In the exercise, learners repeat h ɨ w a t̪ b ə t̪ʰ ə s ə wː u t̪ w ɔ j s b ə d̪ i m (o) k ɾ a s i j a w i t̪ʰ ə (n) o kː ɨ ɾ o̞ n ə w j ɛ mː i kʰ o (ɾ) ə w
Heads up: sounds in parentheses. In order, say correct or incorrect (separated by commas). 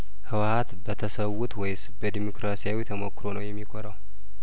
correct, incorrect, correct